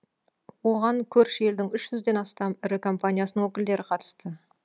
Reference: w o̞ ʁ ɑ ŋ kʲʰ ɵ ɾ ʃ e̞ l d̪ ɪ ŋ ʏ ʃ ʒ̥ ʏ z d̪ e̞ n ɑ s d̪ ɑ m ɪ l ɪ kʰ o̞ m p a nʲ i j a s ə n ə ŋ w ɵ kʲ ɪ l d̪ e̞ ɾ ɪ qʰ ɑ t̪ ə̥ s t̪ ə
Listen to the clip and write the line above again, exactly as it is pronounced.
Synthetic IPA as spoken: w o̞ ʁ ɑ ŋ kʲʰ ɵ ɾ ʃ e̞ l d̪ ɪ ŋ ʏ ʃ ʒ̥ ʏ z d̪ e̞ n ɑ s t̪ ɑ m ɪ ɾ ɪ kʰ o̞ m p a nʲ i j a s ə n ə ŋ w ɵ kʲ ɪ l d̪ e̞ ɾ ɪ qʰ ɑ t̪ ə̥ s t̪ ə